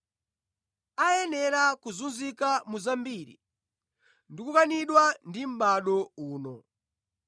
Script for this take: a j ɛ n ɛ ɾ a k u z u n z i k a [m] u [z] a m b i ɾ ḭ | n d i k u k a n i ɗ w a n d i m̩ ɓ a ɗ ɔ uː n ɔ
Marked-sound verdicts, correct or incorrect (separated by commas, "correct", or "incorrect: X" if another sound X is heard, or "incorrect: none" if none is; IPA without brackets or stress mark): correct, correct